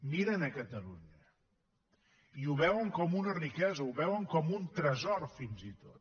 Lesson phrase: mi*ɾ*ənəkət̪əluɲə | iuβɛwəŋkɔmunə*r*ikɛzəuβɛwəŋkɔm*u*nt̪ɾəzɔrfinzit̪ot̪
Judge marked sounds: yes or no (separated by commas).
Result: yes, yes, yes